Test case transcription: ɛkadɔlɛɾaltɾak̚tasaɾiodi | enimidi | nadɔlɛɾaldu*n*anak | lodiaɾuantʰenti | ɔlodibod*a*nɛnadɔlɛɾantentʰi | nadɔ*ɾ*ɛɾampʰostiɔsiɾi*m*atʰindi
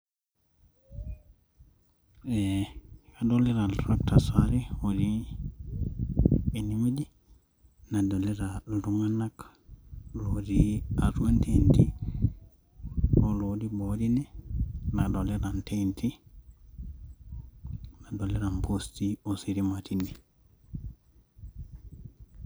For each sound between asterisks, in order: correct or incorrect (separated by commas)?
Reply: incorrect, incorrect, incorrect, correct